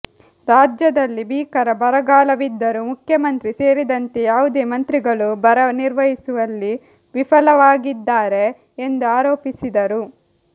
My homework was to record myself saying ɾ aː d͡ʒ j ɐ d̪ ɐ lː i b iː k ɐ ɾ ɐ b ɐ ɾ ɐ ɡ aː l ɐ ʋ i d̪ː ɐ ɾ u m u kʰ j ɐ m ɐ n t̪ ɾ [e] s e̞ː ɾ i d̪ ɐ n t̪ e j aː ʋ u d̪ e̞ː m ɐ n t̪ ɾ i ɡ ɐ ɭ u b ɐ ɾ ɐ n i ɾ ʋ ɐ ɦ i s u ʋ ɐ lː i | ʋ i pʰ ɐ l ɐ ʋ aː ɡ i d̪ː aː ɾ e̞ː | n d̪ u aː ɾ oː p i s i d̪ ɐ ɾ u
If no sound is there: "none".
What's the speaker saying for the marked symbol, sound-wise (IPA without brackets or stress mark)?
i